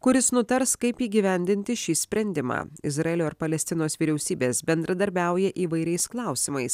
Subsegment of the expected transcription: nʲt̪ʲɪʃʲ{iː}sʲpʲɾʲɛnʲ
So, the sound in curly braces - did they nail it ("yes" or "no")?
yes